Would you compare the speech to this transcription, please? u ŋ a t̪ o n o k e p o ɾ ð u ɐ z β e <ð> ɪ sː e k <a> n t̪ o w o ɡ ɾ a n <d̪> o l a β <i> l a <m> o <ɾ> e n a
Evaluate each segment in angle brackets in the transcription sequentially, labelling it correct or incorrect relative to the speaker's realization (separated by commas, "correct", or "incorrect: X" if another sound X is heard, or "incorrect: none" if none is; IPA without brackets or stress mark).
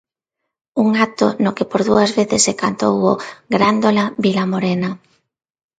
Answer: incorrect: θ, correct, correct, correct, correct, correct